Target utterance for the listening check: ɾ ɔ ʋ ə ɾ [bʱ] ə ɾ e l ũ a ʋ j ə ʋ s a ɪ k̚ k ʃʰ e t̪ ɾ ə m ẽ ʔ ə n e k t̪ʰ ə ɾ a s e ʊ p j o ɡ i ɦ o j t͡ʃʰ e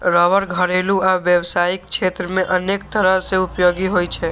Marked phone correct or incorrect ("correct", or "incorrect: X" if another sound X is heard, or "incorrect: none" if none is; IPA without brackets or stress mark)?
incorrect: ɡʱ